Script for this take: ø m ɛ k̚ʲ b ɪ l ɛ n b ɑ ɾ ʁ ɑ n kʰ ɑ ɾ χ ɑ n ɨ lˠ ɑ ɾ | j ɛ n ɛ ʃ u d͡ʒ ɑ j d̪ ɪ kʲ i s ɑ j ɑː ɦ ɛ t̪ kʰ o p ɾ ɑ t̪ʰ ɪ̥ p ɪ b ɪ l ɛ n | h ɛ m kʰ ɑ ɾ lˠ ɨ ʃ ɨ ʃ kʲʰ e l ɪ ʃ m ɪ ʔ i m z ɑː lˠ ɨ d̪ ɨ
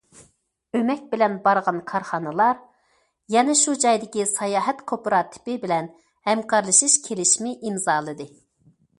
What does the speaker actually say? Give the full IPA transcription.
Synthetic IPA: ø m ɛ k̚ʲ b ɪ l ɛ n b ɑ ɾ ʁ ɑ n kʰ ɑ ɾ χ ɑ n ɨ lˠ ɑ ɾ | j ɛ n ɛ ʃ u d͡ʒ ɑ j d̪ ɪ kʲ i s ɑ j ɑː ɦ ɛ t̪ kʰ o p ɾ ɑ t̪ʰ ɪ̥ p ɪ b ɪ l ɛ n | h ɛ m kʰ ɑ ɾ lˠ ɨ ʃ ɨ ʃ kʲʰ e l ɪ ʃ m ɪ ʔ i m z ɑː lˠ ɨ d̪ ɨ